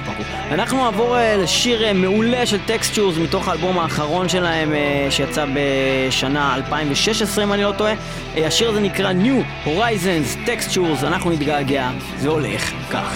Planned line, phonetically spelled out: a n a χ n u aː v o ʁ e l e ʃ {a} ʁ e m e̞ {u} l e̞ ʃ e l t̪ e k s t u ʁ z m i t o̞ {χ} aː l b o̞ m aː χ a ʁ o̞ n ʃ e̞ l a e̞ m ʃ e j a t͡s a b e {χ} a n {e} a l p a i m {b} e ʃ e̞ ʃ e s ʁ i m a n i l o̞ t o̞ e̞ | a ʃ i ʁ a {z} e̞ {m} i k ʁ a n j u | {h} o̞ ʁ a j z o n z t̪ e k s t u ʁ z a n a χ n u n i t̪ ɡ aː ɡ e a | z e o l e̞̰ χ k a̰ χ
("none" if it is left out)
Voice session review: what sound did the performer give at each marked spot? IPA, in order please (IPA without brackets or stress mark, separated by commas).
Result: i, u, χ, ʃ, a, v, z, n, h